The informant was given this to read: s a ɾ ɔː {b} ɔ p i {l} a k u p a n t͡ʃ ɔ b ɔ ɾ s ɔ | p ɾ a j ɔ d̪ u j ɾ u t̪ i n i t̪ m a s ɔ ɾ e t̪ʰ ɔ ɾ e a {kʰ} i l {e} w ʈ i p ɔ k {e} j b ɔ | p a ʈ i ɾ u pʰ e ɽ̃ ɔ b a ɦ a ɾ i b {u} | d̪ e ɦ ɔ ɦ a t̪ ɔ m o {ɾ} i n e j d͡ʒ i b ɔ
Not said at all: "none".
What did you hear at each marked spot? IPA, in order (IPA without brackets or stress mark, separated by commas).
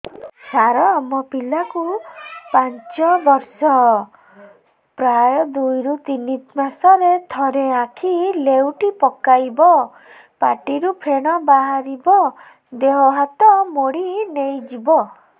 m, l, kʰ, e, a, ɔ, ɽ